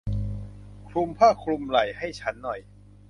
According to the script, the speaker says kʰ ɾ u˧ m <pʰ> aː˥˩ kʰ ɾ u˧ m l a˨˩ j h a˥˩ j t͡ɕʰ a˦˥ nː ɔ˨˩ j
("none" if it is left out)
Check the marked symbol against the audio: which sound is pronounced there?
pʰ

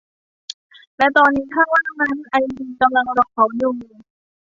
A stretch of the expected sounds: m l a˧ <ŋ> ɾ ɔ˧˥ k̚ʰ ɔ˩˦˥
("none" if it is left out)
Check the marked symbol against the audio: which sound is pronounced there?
ŋ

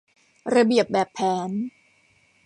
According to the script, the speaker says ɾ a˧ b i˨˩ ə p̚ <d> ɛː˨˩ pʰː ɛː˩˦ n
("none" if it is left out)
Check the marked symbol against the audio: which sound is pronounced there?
b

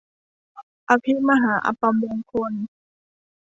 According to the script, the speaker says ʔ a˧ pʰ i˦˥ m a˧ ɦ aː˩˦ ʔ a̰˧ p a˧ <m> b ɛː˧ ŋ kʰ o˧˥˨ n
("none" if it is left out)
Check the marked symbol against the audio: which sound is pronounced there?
m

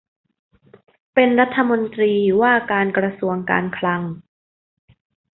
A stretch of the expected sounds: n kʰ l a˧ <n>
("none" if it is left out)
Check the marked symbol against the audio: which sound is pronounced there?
ŋ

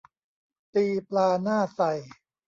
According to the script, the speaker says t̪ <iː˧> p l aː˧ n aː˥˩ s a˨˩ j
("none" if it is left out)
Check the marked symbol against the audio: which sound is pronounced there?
iː˧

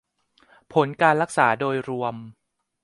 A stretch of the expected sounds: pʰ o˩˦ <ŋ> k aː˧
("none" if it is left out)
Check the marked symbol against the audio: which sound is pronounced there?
n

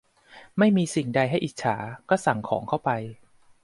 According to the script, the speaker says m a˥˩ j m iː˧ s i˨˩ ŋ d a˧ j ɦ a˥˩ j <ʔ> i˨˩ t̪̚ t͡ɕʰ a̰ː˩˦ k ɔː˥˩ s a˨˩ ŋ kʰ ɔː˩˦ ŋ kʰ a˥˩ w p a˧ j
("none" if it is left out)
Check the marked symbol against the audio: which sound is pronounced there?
ʔ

